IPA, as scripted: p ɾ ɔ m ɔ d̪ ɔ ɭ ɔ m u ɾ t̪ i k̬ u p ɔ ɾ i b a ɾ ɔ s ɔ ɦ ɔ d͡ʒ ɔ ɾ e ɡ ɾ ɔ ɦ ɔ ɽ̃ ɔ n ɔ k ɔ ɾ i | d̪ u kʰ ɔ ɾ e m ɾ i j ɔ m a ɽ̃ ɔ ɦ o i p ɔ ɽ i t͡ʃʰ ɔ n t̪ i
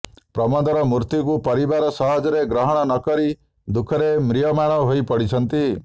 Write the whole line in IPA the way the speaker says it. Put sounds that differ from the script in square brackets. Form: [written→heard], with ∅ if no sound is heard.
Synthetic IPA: p ɾ ɔ m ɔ d̪ ɔ [ɭ→ɾ] ɔ m u ɾ t̪ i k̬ u p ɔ ɾ i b a ɾ ɔ s ɔ ɦ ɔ d͡ʒ ɔ ɾ e ɡ ɾ ɔ ɦ ɔ ɽ̃ ɔ n ɔ k ɔ ɾ i | d̪ u kʰ ɔ ɾ e m ɾ i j ɔ m a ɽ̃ ɔ ɦ o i p ɔ ɽ i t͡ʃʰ ɔ n t̪ i